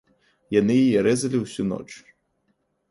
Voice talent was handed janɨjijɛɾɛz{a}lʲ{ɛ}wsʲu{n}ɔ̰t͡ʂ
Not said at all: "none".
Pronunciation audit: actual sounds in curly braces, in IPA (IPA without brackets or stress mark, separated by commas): ɐ, i, n